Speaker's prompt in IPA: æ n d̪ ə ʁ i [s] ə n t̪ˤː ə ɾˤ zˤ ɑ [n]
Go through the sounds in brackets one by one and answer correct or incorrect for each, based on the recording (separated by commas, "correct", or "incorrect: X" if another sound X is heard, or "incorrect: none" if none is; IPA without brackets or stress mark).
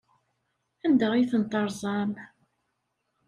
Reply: incorrect: θ, incorrect: m